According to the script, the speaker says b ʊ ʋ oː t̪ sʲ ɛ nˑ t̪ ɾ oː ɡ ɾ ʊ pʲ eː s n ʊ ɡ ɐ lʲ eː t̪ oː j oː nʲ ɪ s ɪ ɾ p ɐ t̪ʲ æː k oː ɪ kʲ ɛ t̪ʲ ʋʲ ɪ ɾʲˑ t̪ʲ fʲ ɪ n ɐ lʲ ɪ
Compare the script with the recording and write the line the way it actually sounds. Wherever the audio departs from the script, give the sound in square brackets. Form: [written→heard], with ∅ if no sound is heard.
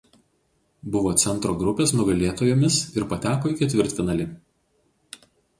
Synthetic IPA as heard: b ʊ ʋ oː t̪ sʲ ɛ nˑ t̪ ɾ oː ɡ ɾ ʊ pʲ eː s n ʊ ɡ ɐ lʲ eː t̪ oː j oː [nʲ→mʲ] ɪ s ɪ ɾ p ɐ t̪ʲ æː k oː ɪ kʲ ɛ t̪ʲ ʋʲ ɪ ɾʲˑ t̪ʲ fʲ ɪ n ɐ lʲ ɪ